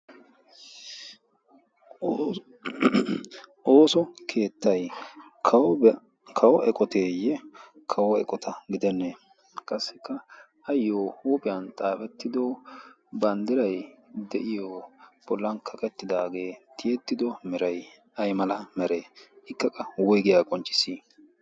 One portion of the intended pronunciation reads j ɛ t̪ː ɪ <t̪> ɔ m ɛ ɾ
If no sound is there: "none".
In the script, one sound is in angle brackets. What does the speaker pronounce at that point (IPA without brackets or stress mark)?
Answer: d̪